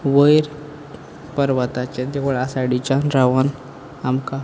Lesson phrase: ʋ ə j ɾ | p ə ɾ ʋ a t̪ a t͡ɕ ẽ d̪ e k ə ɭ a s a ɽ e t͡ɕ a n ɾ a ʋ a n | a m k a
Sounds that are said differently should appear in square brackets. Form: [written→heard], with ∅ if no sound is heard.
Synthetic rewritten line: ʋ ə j ɾ | p ə ɾ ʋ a t̪ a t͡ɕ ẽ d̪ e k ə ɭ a s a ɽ [e→i] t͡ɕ a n ɾ a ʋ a n | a m k a